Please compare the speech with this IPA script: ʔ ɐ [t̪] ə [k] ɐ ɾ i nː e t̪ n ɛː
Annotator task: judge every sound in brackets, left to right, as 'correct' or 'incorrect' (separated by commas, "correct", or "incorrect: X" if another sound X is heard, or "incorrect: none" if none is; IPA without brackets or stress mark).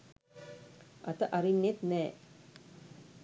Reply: correct, incorrect: ʔ